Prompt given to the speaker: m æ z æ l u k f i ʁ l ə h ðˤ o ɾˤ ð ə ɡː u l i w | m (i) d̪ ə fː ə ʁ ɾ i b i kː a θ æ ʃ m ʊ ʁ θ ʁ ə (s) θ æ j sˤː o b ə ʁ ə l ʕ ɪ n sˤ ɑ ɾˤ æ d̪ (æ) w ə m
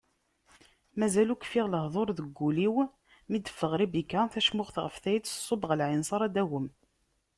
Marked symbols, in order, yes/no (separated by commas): yes, no, yes